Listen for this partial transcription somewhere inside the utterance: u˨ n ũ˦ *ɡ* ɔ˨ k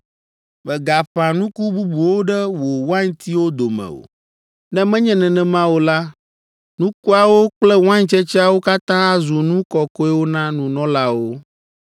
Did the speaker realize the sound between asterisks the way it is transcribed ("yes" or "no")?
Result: no